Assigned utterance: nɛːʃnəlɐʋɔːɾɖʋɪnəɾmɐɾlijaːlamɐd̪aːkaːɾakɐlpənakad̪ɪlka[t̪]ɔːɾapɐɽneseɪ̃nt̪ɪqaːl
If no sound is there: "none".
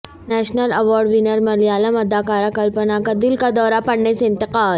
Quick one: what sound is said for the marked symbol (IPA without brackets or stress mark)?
d̪